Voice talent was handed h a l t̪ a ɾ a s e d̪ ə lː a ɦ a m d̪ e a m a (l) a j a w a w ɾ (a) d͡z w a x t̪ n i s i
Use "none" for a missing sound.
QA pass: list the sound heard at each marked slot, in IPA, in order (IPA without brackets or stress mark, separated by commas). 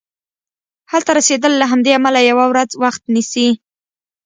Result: l, a